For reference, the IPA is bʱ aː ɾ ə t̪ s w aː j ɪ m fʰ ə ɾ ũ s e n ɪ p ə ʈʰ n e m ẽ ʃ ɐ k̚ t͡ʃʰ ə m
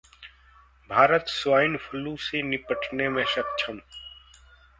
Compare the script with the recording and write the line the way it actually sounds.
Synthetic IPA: bʱ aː ɾ ə t̪ s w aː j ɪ n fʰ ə l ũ s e n ɪ p ə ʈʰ n e m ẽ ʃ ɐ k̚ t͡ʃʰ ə m